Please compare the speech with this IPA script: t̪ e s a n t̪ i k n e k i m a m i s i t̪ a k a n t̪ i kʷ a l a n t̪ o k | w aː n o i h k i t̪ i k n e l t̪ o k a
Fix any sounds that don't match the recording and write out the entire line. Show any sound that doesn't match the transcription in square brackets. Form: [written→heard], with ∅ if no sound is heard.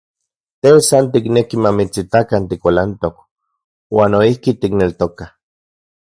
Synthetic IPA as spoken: t̪ e s a n t̪ i k n e k i m a m i [s→t͡s] i t̪ a k a n t̪ i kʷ a l a n t̪ o k | w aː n o i h k i t̪ i k n e l t̪ o k a